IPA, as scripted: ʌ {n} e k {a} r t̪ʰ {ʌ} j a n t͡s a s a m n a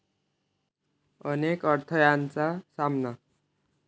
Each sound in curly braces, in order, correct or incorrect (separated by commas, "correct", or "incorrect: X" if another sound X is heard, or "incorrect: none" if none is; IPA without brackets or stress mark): correct, incorrect: ʌ, correct